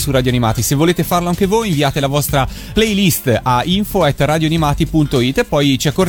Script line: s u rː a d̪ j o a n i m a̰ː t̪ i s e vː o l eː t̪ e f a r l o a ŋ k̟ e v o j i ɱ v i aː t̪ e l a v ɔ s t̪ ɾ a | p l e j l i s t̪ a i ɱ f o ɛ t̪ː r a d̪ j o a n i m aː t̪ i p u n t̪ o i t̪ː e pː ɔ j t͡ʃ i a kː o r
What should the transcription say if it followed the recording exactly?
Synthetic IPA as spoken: s u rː a d̪ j o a n i m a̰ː t̪ i s e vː o l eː t̪ e f a r l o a ŋ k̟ e v o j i ɱ v i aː t̪ e l a v ɔ s t̪ ɾ a | p l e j l i s t̪ a i ɱ f o ɛ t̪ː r a d̪ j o a n i m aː t̪ i p u n t̪ o i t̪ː e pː ɔ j t͡ʃ i a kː o r